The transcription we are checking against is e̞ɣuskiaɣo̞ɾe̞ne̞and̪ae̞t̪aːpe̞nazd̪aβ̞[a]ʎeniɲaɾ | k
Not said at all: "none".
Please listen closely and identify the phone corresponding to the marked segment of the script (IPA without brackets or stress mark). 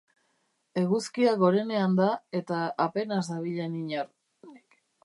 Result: i